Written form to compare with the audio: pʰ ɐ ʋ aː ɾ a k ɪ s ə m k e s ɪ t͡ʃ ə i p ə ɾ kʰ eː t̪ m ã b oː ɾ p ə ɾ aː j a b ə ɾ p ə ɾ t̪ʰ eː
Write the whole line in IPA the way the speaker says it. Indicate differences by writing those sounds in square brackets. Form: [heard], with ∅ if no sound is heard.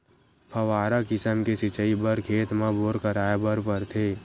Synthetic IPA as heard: pʰ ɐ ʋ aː ɾ a k ɪ s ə m k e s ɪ t͡ʃ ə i [b] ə ɾ kʰ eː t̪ m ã b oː ɾ [k] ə ɾ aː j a b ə ɾ p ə ɾ t̪ʰ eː